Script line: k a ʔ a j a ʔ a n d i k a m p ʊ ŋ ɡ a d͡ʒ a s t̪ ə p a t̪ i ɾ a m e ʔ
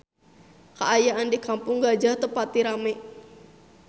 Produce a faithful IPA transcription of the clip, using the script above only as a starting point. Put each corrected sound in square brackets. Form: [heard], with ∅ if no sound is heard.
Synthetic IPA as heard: k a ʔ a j a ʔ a n d i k a m p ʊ ŋ ɡ a d͡ʒ a [h] t̪ ə p a t̪ i ɾ a m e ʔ